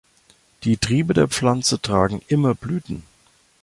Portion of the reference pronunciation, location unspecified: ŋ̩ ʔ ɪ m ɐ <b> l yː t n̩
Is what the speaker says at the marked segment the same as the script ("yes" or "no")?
yes